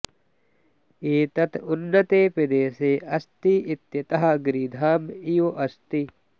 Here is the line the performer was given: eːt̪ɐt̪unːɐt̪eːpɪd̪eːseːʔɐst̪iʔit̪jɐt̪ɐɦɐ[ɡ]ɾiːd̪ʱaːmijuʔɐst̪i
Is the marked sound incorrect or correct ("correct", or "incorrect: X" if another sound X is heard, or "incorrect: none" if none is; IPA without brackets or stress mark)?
correct